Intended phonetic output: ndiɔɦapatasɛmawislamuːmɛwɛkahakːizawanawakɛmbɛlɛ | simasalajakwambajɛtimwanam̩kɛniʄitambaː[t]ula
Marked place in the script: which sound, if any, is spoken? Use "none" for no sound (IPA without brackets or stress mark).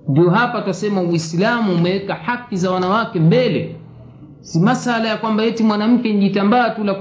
t